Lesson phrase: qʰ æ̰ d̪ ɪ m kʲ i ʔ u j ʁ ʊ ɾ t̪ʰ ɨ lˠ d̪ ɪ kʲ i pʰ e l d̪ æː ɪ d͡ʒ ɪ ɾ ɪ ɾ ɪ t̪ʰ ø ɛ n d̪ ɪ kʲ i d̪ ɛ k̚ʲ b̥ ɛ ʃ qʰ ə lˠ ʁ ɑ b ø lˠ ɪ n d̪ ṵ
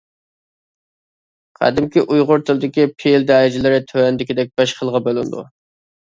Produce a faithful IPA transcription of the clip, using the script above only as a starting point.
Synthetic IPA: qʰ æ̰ d̪ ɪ m kʲ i ʔ u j ʁ ʊ ɾ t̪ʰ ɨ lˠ d̪ ɪ kʲ i pʰ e l d̪ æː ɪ d͡ʒ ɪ l ɪ ɾ ɪ t̪ʰ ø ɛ n d̪ ɪ kʲ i d̪ ɛ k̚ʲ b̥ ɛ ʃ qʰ ə lˠ ʁ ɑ b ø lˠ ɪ n d̪ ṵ